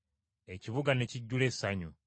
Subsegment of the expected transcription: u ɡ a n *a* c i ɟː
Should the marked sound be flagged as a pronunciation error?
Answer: yes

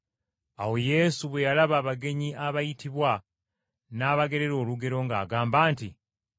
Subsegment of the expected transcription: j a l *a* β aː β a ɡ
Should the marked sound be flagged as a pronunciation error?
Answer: no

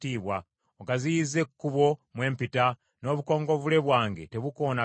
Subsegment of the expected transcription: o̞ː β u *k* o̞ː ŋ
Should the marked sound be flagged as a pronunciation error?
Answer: no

